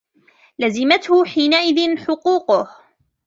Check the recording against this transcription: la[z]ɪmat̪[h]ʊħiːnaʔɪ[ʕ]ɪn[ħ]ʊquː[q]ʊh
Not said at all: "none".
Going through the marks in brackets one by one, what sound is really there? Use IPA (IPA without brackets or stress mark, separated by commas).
z, h, ð, ħ, q